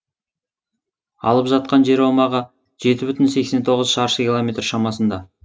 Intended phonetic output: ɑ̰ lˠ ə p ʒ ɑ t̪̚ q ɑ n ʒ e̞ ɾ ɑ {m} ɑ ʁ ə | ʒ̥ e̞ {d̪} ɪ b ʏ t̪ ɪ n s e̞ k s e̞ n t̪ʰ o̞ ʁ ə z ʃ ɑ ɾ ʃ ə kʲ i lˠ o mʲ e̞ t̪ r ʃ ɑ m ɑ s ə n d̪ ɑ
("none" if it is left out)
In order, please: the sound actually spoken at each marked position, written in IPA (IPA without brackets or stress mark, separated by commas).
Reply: m, t̪